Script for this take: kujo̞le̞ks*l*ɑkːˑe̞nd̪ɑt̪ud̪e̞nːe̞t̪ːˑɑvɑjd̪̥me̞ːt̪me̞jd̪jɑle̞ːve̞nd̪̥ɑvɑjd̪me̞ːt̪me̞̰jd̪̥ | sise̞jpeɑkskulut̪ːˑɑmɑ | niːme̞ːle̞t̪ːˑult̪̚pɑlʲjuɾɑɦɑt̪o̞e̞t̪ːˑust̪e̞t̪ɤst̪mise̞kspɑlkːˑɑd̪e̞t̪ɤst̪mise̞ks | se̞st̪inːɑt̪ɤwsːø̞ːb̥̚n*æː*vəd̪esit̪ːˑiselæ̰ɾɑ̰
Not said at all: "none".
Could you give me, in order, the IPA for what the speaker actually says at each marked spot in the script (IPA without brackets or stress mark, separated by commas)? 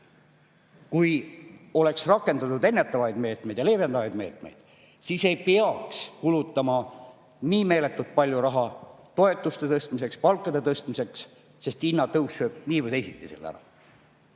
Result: r, iː